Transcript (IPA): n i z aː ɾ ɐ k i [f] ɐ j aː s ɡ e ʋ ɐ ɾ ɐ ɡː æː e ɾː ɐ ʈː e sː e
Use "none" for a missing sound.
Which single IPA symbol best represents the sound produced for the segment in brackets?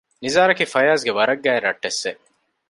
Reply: f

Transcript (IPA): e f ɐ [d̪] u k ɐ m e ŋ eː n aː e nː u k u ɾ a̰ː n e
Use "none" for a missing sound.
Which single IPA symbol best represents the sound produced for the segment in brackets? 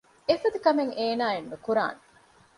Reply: d̪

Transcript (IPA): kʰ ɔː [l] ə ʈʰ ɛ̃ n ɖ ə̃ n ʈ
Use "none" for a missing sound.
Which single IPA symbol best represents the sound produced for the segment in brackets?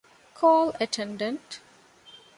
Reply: l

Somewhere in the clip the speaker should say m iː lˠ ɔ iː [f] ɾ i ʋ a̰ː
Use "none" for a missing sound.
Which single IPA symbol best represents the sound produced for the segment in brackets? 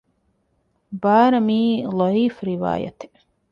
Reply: f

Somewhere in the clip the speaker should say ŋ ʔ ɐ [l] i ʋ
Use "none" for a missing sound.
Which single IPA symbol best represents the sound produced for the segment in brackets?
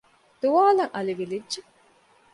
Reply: l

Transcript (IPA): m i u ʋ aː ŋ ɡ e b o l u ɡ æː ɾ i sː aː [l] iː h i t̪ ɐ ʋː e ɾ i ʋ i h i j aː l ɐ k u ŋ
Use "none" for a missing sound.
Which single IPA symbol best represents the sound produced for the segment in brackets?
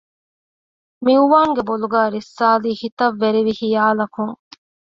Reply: l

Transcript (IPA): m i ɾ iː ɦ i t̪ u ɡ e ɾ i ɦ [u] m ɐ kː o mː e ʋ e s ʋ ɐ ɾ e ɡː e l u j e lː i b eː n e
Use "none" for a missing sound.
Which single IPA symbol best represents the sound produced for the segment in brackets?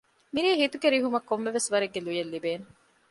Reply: u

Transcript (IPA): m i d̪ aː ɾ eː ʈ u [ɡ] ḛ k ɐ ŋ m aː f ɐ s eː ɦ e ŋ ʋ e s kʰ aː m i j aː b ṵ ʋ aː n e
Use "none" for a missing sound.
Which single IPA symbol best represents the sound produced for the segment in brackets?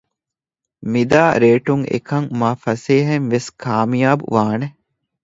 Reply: ŋ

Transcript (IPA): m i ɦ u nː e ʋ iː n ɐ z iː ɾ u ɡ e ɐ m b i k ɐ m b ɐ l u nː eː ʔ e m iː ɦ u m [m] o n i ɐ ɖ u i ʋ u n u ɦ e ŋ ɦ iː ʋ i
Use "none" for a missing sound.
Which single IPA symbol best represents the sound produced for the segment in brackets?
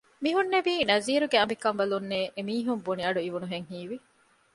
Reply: b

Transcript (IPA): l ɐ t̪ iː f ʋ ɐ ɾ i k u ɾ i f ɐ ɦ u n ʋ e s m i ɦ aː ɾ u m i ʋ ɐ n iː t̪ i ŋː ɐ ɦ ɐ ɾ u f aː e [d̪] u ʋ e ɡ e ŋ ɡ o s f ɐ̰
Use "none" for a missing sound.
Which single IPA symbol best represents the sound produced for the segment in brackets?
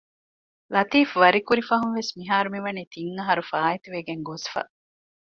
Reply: t̪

